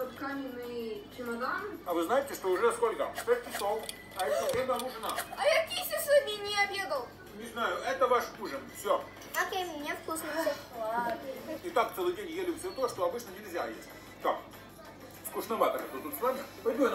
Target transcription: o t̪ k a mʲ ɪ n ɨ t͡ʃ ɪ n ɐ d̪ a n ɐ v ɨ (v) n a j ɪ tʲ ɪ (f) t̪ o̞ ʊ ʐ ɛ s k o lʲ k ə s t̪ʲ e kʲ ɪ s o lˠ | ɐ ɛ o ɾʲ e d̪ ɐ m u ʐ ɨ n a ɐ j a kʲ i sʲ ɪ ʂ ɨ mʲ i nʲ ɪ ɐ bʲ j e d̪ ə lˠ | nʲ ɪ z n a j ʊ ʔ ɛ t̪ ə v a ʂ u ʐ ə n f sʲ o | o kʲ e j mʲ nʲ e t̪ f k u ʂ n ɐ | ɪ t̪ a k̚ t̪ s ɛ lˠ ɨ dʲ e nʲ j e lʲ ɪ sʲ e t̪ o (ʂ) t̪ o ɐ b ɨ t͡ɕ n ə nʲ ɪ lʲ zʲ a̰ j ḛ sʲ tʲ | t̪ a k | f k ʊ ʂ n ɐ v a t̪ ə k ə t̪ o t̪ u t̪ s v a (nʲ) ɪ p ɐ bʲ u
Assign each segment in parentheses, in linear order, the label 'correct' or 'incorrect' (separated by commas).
incorrect, incorrect, correct, incorrect